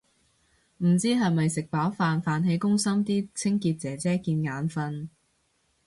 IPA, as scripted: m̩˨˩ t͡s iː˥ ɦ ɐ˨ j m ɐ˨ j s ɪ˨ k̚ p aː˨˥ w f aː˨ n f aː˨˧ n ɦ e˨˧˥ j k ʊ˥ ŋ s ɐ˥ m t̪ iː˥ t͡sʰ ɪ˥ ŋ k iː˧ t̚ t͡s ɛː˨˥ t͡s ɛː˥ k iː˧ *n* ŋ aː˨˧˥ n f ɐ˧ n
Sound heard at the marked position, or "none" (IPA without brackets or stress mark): n